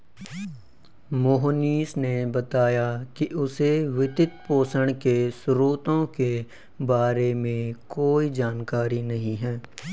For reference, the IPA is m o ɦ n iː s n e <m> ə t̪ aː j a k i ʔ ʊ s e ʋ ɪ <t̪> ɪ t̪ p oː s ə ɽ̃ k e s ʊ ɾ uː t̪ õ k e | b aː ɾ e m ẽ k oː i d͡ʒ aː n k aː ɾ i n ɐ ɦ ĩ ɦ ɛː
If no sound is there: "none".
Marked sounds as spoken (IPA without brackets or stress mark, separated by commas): b, t̪